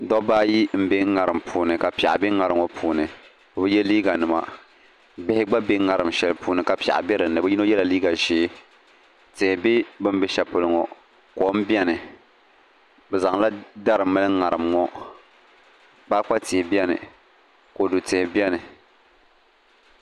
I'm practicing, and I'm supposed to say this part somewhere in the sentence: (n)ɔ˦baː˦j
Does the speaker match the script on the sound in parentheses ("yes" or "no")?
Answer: no